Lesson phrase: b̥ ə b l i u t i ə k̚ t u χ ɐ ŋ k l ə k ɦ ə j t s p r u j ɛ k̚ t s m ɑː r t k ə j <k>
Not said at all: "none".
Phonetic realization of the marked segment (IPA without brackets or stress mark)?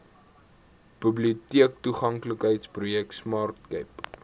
p